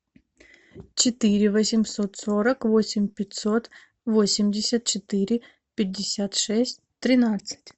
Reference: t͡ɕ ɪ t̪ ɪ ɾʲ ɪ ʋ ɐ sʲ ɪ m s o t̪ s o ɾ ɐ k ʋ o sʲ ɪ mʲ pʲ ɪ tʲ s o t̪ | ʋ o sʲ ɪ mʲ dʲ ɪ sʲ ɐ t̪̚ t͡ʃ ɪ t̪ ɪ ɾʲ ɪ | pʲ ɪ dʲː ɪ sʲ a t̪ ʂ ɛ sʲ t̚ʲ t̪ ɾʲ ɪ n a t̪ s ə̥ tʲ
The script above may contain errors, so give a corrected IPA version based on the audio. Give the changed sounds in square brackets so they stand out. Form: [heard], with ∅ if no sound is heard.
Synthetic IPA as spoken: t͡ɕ ɪ t̪ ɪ ɾʲ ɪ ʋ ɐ sʲ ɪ m s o t̪ s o ɾ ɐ k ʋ o sʲ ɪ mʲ pʲ ɪ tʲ s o t̪ | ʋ o sʲ ɪ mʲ dʲ ɪ sʲ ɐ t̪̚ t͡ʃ ɪ t̪ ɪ ɾʲ ɪ | pʲ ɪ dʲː ɪ sʲ a t̪ ʂ ɛ sʲ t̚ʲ t̪ ɾʲ ɪ n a t̪ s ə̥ tʲ